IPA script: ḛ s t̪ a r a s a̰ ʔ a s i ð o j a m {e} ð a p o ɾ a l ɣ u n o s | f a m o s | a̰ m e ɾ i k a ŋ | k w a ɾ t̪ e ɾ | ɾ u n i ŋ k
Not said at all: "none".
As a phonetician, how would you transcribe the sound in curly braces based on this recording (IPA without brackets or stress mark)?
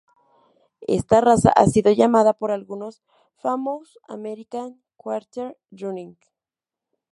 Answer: a